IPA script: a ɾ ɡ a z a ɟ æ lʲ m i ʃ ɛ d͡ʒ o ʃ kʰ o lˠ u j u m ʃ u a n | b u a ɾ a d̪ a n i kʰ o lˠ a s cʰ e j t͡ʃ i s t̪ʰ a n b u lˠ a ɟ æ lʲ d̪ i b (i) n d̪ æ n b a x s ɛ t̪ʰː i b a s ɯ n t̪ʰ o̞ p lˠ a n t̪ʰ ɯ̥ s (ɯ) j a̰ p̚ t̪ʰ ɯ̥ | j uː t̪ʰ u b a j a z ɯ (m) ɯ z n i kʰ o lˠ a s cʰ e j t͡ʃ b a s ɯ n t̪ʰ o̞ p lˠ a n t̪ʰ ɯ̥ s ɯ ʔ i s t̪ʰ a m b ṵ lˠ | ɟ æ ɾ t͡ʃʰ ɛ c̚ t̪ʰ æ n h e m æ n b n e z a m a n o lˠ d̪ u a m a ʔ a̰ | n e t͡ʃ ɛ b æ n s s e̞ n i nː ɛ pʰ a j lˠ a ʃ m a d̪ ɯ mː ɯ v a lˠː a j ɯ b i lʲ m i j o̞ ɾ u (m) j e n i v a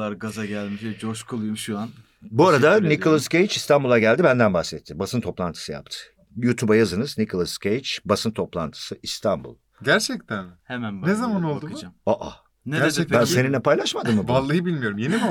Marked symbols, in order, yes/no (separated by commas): no, yes, no, yes